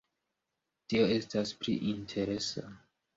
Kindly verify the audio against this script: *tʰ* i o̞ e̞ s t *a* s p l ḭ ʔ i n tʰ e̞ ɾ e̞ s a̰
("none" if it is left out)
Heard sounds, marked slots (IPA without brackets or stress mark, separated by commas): t, a